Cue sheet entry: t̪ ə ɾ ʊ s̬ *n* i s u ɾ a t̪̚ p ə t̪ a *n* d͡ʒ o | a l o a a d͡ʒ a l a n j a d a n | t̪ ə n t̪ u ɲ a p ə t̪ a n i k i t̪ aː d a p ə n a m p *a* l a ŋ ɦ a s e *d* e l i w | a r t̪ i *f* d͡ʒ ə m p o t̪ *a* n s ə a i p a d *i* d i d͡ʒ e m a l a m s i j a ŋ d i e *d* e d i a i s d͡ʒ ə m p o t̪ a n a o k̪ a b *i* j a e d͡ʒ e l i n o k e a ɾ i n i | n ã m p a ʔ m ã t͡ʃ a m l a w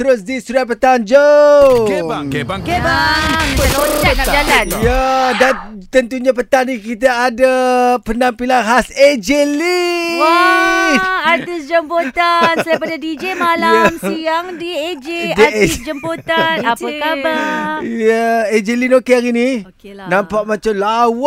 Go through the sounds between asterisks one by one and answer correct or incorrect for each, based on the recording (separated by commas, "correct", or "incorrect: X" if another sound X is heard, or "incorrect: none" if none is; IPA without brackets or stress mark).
incorrect: d, correct, incorrect: i, incorrect: d͡ʒ, incorrect: s, correct, incorrect: a, incorrect: d͡ʒ, incorrect: a